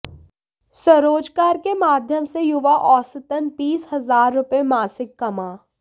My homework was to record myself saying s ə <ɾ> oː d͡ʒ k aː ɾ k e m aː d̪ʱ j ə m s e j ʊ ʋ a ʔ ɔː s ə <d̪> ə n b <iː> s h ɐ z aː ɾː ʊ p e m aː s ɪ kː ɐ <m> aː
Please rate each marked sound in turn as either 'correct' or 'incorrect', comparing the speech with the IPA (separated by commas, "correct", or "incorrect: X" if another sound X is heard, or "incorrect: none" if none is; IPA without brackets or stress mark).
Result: correct, incorrect: t̪, correct, correct